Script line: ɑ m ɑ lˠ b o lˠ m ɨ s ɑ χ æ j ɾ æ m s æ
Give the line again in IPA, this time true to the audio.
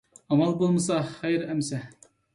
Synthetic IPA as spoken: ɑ m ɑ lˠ b o lˠ m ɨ s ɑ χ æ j ɾ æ m s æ

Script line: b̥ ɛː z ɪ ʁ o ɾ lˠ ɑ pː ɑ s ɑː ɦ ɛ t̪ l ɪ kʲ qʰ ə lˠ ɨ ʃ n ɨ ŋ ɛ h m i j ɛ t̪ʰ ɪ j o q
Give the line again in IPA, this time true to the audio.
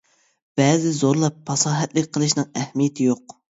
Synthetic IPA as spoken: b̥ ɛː z ɪ z o ɾ lˠ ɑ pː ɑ s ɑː ɦ ɛ t̪ l ɪ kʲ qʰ ə lˠ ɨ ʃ n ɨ ŋ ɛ h m i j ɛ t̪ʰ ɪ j o q

